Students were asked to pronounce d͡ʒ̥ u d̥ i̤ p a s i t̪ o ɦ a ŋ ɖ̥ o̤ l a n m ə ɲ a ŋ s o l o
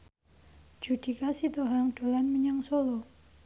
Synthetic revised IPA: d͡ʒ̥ u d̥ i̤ k a s i t̪ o ɦ a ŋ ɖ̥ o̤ l a n m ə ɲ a ŋ s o l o

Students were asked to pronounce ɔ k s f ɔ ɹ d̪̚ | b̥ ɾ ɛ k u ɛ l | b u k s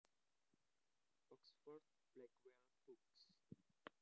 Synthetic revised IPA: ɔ k s f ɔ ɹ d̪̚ | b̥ l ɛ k w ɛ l | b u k s

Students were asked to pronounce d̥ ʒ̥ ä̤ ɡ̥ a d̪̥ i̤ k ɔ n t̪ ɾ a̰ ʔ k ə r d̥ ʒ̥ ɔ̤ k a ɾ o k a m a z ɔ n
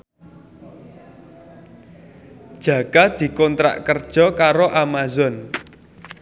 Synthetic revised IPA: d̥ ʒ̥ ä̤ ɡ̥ a d̪̥ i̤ k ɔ n t̪ ɾ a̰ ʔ k ə r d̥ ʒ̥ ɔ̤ k a ɾ o ʔ a m a z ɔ n

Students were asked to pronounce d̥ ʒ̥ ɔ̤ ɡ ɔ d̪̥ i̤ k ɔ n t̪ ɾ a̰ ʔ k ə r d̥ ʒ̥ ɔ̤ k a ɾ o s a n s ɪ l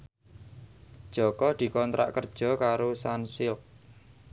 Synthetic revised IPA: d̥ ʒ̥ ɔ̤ k ɔ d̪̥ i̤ k ɔ n t̪ ɾ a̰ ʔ k ə r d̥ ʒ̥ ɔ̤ k a ɾ o s a n s ɪ l

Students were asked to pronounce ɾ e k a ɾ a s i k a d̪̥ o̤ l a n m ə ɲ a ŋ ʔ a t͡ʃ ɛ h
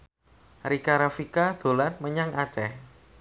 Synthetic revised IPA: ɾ i k a ɾ a f i k a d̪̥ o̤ l a n m ə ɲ a ŋ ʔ a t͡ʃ ɛ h

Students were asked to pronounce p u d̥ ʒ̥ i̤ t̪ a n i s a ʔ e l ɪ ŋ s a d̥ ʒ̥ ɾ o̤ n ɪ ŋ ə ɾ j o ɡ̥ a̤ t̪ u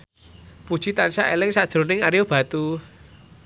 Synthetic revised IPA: p u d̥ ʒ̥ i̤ t̪ a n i s a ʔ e l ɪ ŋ s a d̥ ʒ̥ ɾ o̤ n ɪ ŋ a ɾ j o b̥ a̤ t̪ u

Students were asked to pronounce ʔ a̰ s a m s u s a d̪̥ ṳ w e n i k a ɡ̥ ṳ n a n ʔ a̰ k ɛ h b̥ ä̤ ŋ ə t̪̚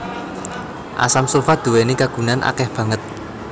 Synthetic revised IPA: ʔ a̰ s a m s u f a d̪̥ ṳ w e n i k a ɡ̥ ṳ n a n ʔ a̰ k ɛ h b̥ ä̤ ŋ ə t̪̚

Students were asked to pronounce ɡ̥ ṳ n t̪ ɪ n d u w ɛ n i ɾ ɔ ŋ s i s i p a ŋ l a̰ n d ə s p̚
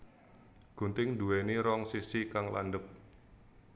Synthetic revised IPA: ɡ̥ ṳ n t̪ ɪ ŋ d u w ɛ n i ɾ ɔ ŋ s i s i k a ŋ l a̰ n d ə p̚

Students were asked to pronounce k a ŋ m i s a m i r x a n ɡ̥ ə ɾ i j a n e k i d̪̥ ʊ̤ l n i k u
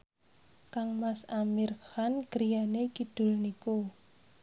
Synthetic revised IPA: k a ŋ m a s a m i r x a n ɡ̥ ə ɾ i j a n e k i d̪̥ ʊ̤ l n i k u

